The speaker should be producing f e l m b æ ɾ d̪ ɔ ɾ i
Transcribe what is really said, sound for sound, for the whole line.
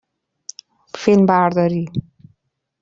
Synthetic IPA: f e l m b a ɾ d̪ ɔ ɾ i